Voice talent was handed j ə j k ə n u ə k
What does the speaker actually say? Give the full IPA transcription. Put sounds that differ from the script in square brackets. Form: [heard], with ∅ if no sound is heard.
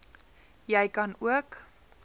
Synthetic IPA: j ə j k [ɐ] n u ə k